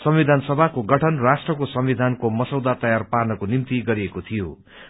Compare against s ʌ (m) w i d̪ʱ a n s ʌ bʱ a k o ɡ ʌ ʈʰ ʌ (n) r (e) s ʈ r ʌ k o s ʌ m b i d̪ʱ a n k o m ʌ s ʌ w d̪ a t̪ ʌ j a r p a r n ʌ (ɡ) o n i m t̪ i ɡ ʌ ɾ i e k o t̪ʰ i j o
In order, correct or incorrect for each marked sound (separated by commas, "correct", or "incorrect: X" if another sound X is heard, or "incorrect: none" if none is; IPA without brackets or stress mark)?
correct, correct, incorrect: a, incorrect: k